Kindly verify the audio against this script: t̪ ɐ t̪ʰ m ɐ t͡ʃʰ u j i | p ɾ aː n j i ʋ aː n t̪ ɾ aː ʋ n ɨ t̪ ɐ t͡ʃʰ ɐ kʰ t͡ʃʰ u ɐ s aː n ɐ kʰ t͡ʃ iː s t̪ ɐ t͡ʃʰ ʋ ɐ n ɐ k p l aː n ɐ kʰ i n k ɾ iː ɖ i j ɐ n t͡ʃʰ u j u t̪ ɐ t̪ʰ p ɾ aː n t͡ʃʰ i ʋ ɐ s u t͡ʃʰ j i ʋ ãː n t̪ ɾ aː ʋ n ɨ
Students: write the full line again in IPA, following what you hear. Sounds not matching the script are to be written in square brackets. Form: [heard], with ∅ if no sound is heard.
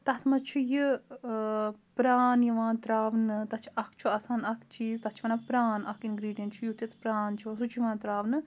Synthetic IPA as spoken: t̪ ɐ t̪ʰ m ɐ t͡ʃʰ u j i | p ɾ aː n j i ʋ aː n t̪ ɾ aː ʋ n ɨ t̪ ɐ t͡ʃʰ ɐ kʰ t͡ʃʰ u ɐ s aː n ɐ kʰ t͡ʃ iː [z] t̪ ɐ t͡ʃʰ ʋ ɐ n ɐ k p [ɾ] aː n ɐ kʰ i n [ɡ] ɾ iː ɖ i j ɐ n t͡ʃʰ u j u t̪ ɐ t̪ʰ p ɾ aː n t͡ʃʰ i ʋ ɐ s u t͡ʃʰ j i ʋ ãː n t̪ ɾ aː ʋ n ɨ